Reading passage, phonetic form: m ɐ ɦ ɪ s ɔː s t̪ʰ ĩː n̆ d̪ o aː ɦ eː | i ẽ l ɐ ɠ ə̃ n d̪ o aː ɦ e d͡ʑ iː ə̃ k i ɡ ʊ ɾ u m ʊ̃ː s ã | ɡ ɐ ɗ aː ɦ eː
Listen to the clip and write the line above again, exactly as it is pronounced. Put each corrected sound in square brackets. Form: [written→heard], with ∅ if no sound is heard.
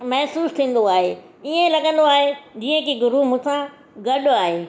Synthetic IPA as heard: m ɐ ɦ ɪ s [ɔː→uː] s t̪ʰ ĩː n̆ d̪ o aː ɦ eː | i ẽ l ɐ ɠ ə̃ n d̪ o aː ɦ e d͡ʑ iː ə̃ k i ɡ ʊ ɾ u m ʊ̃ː s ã | ɡ ɐ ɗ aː ɦ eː